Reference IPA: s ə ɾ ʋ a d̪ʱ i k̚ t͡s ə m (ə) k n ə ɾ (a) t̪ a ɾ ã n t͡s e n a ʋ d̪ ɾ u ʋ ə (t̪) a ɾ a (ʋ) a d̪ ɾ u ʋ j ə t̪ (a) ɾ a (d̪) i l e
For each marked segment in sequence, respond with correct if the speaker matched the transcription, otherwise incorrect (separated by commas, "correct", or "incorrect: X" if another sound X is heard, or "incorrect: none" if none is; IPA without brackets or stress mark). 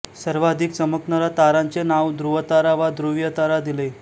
correct, correct, correct, correct, correct, correct